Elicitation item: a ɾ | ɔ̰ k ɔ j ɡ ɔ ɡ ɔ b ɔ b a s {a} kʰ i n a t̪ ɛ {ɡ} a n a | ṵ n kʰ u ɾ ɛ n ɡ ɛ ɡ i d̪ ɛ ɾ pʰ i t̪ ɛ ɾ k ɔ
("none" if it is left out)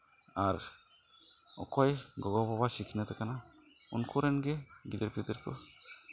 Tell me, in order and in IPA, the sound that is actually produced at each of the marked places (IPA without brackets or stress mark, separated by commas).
i, k